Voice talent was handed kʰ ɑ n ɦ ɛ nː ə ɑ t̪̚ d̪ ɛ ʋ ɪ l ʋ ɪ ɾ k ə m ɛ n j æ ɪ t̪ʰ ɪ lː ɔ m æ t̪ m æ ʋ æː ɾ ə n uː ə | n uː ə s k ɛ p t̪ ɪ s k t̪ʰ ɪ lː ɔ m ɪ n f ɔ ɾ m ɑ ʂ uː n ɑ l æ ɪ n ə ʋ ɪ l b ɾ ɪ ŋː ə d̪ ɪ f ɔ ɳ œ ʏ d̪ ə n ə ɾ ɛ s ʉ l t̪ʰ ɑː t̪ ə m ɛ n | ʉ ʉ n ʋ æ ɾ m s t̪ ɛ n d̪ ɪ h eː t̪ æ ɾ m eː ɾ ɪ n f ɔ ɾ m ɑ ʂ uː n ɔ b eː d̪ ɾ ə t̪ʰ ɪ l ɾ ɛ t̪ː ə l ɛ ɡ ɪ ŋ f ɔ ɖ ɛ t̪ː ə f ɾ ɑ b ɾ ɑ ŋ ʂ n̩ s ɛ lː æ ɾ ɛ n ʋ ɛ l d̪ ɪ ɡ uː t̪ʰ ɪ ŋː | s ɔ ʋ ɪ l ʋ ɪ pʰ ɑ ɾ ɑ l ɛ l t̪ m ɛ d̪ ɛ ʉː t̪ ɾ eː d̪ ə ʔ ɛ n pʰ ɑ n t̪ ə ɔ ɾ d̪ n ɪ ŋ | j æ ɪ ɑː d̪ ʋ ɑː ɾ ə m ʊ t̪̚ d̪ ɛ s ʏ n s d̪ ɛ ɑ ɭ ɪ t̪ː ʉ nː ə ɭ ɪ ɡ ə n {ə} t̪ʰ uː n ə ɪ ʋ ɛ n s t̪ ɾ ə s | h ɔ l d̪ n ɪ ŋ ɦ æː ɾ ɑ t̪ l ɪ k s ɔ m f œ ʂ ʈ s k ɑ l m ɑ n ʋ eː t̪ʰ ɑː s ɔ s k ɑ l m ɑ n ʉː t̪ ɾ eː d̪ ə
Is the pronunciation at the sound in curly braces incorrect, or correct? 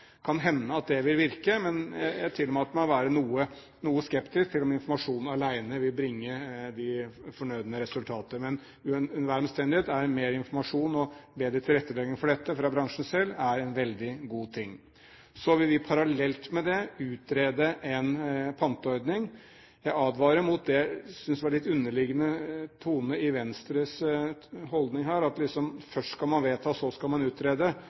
correct